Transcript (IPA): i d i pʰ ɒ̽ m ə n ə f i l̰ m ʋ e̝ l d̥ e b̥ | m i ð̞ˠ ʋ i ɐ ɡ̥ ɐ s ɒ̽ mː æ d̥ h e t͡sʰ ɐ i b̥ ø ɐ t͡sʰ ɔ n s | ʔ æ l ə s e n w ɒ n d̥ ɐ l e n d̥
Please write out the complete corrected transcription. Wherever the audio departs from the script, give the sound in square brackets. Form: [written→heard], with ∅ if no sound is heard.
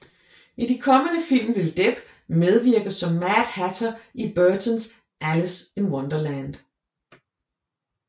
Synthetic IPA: i d i [pʰ→kʰ] ɒ̽ m ə n ə f i l̰ m ʋ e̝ l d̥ e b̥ | m [i→e] ð̞ˠ ʋ i ɐ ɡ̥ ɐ s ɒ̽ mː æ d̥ h [e→æ] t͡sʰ ɐ i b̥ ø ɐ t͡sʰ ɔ n s | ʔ æ l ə s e n w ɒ n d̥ ɐ l [e→æ] n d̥